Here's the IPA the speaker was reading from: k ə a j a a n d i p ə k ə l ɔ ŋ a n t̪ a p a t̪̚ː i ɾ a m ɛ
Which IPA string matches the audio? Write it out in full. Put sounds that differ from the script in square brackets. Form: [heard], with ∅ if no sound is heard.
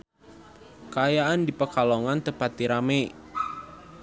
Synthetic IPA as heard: k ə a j a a n d i p ə k [a] l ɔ ŋ a n t̪ [ə] p a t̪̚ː i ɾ a m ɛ

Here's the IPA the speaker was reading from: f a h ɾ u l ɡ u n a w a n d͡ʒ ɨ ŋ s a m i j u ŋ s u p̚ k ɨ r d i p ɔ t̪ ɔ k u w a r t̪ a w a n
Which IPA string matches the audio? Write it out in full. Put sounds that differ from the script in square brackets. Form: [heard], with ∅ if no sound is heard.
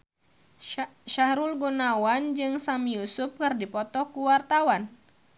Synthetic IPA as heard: [ʃ] a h ɾ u l ɡ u n a w a n d͡ʒ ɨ ŋ s a m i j u [∅] s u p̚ k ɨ r d i p ɔ t̪ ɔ k u w a r t̪ a w a n

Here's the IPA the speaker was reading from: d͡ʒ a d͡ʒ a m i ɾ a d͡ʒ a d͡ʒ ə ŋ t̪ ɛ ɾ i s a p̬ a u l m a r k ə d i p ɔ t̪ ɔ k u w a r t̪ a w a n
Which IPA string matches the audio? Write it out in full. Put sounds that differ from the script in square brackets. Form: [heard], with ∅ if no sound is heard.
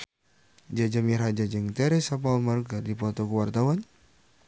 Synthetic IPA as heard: d͡ʒ a d͡ʒ a m i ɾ a d͡ʒ a d͡ʒ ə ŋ t̪ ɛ ɾ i s a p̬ a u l m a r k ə d i p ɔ t̪ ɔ k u w a r t̪ a w a n

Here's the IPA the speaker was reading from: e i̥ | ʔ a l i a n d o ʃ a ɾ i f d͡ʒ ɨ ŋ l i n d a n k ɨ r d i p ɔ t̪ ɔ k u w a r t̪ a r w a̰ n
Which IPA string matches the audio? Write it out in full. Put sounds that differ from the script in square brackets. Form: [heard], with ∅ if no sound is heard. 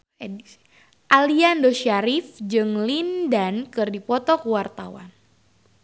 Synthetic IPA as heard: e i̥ | ʔ a l i a n d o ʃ a ɾ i f d͡ʒ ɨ ŋ l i n d a n k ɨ r d i p ɔ t̪ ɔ k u w a r t̪ a [∅] w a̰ n

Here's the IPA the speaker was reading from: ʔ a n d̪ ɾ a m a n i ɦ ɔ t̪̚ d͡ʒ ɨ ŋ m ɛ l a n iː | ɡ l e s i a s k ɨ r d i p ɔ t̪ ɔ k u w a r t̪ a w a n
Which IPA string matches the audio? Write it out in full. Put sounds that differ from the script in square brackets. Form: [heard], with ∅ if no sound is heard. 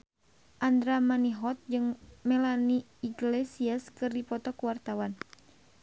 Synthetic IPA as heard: ʔ a n d̪ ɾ a m a n i ɦ ɔ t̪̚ d͡ʒ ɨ ŋ m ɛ l a n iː | ɡ l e s i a s k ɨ r d i p ɔ t̪ ɔ k u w a r t̪ a w a n

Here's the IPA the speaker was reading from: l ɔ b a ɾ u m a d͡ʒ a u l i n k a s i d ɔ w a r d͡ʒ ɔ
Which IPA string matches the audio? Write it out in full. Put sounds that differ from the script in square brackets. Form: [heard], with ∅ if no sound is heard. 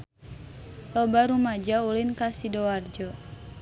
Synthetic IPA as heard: l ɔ b a ɾ u m a d͡ʒ a u l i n k a s i d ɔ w a r d͡ʒ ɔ

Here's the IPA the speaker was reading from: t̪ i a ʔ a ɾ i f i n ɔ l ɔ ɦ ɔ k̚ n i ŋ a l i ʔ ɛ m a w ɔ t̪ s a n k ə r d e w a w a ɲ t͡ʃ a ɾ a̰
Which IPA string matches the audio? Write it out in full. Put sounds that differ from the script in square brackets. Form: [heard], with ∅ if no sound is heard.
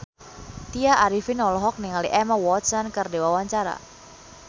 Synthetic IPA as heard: t̪ i a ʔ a ɾ i f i n ɔ l ɔ ɦ ɔ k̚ n i ŋ a l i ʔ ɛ m a w ɔ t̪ s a n k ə r d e w a w a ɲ t͡ʃ a ɾ a̰

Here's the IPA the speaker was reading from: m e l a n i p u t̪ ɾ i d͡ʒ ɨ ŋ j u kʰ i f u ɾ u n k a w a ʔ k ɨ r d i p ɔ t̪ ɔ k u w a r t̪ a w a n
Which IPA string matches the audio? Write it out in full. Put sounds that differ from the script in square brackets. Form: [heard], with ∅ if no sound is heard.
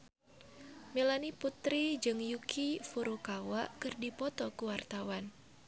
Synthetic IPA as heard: m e l a n i p u t̪ ɾ i d͡ʒ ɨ ŋ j u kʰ i f u ɾ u [∅] k a w a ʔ k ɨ r d i p ɔ t̪ ɔ k u w a r t̪ a w a n

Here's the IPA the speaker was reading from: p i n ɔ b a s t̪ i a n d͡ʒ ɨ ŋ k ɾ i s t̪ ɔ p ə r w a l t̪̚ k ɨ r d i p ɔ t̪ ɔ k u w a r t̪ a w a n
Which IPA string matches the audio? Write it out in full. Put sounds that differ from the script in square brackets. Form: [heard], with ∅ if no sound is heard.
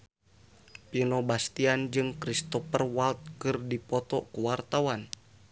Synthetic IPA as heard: p i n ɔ b a s t̪ i a n d͡ʒ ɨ ŋ k ɾ i s t̪ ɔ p ə r w a l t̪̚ k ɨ r d i p ɔ t̪ ɔ k u w a r t̪ a w a n

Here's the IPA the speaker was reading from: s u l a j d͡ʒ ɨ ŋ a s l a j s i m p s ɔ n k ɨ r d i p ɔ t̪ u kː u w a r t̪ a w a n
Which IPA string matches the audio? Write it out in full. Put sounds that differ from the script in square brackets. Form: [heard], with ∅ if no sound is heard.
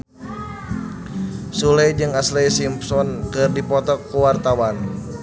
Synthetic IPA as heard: s u l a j d͡ʒ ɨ ŋ a s l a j s i m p s ɔ n k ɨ r d i p ɔ t̪ [ɔ] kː u w a r t̪ a w a n

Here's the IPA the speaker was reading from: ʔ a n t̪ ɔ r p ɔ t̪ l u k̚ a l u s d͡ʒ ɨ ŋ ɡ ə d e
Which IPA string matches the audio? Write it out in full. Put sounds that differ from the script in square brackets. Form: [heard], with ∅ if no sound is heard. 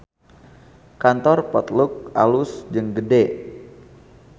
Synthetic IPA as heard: [k] a n t̪ ɔ r p ɔ t̪ l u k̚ a l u s d͡ʒ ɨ ŋ ɡ ə d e

